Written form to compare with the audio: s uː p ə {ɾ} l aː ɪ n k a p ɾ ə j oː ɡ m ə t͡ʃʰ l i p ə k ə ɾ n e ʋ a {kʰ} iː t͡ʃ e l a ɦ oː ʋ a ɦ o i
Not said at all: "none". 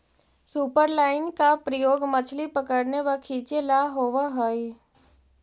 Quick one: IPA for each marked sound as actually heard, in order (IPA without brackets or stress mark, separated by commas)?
ɾ, kʰ